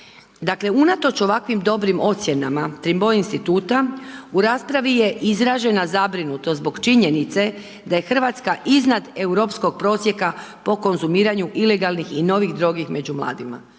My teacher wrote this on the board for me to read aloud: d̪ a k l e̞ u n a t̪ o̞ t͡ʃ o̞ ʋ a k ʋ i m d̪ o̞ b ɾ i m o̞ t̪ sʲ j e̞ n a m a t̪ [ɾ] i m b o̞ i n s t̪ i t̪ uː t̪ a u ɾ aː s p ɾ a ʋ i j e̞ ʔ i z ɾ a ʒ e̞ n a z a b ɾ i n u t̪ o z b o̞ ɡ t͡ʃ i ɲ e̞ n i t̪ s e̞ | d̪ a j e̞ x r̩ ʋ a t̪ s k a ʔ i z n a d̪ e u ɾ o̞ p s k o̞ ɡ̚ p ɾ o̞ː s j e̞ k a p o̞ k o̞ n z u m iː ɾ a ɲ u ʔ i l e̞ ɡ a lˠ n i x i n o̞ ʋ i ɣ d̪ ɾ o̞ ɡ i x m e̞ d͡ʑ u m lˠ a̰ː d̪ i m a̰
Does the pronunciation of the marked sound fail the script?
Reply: no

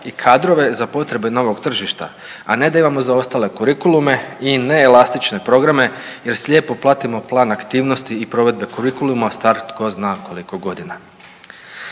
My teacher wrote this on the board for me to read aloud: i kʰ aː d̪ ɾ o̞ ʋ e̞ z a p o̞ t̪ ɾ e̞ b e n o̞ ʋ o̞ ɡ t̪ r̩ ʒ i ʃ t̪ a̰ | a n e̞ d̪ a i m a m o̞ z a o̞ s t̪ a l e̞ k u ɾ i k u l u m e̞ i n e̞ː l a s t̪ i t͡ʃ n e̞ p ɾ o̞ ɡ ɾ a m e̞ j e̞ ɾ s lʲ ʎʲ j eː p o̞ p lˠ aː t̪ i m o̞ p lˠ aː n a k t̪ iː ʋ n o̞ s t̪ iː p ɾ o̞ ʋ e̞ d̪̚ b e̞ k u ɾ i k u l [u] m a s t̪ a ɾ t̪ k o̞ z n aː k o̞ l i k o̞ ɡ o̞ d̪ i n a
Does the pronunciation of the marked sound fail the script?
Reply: no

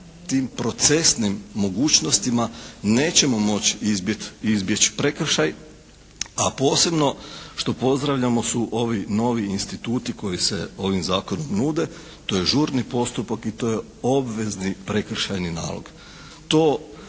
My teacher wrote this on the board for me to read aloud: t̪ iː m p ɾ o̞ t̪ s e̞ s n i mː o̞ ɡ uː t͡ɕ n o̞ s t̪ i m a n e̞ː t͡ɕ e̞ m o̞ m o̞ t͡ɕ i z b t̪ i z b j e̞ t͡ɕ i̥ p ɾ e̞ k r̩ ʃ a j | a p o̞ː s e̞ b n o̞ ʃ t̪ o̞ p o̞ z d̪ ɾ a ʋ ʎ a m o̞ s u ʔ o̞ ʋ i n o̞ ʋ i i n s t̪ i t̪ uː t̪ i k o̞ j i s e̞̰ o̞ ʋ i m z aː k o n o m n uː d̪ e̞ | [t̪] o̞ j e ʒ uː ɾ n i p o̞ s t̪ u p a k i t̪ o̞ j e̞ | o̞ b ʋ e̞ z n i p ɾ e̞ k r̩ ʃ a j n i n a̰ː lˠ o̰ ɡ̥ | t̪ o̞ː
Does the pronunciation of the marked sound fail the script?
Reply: no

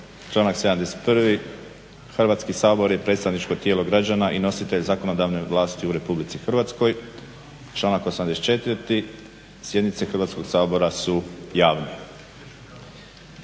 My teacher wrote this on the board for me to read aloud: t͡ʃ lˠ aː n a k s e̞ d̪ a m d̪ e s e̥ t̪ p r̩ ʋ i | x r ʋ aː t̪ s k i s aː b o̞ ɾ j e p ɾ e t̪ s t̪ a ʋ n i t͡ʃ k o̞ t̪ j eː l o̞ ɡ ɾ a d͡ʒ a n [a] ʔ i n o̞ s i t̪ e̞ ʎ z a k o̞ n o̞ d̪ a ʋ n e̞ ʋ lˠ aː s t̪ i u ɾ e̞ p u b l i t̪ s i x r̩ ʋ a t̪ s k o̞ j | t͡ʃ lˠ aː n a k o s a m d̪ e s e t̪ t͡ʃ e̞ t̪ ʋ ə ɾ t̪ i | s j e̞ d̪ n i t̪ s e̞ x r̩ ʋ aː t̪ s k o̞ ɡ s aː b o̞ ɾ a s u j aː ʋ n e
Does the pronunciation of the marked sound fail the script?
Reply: no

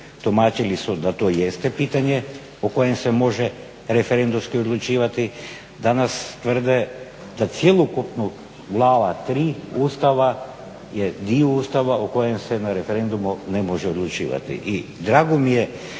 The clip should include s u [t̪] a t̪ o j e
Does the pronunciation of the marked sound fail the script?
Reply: yes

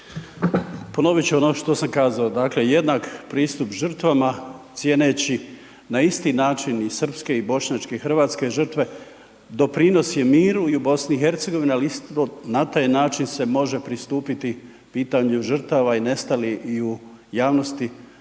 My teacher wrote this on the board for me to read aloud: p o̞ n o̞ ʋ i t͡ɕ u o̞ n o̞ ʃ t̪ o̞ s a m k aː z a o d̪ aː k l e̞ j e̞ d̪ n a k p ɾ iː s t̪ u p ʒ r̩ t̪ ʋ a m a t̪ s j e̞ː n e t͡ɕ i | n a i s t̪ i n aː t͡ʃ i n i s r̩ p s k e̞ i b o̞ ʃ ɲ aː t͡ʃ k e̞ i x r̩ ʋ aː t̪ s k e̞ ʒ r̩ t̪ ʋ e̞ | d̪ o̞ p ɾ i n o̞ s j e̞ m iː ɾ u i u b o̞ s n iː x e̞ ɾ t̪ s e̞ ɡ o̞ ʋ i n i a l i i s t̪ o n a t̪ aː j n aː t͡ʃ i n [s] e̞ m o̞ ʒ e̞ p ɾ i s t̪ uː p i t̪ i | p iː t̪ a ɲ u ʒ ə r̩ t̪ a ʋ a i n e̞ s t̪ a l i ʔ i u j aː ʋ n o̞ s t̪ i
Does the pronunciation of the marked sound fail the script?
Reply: no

